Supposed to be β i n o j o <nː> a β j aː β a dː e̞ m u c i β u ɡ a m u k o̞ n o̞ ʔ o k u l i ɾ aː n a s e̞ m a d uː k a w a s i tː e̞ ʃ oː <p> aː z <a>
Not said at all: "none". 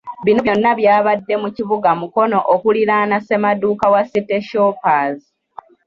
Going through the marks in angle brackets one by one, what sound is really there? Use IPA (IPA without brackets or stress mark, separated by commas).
nː, p, i